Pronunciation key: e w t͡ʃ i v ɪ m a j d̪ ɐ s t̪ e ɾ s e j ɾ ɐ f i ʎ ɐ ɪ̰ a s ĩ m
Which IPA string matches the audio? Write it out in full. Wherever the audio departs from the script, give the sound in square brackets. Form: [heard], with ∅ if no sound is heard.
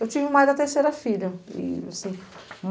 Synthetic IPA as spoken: e w t͡ʃ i v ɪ m a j d̪ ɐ [∅] t̪ e ɾ s e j ɾ ɐ f i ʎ ɐ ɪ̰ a s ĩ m

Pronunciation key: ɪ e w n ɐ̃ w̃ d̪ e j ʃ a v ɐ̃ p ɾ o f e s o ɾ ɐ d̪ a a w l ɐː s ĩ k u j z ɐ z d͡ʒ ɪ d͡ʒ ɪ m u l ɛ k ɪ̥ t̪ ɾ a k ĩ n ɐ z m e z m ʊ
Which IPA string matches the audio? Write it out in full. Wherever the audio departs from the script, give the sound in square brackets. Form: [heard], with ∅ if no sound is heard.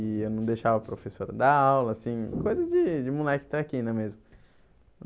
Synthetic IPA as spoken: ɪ e w n ɐ̃ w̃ d̪ e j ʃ a v [ɐ] p ɾ o f e s o ɾ ɐ d̪ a a w l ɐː s ĩ k [o] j z ɐ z d͡ʒ ɪ d͡ʒ ɪ m u l ɛ k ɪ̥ t̪ ɾ a k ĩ n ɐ [∅] m e z m ʊ

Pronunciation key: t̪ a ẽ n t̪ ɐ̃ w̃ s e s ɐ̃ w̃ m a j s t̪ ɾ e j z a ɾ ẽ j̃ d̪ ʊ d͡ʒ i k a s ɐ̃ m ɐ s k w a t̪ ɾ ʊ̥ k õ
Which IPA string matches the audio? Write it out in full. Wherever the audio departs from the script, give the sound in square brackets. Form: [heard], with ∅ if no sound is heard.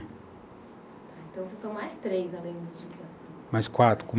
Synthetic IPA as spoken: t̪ a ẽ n t̪ ɐ̃ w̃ s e s ɐ̃ w̃ m a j s t̪ ɾ e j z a [l] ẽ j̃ d̪ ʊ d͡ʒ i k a s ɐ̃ m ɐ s k w a t̪ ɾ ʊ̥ k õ

